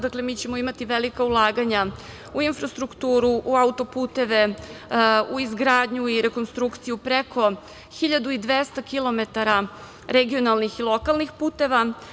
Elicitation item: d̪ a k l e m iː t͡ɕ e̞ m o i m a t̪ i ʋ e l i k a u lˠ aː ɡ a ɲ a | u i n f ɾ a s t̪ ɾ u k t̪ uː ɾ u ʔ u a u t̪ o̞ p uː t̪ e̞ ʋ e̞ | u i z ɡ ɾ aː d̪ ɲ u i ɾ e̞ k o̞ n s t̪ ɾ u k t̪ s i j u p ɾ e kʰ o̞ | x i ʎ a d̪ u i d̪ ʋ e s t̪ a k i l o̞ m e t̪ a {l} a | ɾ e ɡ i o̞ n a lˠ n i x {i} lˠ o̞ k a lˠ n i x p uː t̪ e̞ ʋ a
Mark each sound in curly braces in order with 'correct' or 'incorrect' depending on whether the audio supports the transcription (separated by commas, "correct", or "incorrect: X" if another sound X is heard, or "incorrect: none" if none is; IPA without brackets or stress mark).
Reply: incorrect: ɾ, correct